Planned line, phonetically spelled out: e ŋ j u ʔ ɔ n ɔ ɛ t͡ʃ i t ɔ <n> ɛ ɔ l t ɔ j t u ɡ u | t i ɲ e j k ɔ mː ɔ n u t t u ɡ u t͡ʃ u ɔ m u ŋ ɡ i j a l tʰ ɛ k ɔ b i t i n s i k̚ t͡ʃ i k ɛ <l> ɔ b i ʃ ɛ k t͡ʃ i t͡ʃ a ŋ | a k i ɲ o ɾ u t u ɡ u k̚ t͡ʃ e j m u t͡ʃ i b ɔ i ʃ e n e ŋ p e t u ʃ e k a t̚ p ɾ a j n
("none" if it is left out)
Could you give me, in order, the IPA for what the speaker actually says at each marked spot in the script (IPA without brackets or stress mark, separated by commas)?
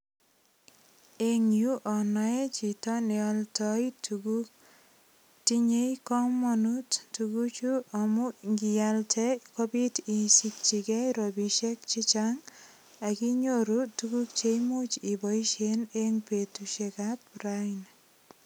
n, ɾ